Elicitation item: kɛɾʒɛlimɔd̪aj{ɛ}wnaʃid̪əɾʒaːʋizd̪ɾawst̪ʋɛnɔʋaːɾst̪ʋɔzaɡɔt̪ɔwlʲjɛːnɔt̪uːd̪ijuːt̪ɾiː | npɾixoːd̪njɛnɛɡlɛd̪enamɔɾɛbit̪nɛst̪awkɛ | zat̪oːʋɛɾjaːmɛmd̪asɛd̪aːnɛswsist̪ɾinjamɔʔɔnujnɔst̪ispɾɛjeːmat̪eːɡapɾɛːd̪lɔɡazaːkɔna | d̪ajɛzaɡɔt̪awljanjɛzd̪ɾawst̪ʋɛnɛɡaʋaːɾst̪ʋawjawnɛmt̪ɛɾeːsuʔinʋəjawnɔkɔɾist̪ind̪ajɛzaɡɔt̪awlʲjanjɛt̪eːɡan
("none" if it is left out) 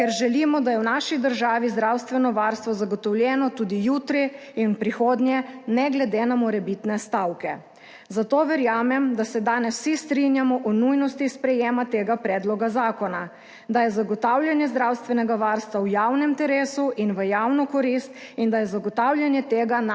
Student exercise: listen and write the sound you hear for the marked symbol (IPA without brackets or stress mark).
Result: ɛ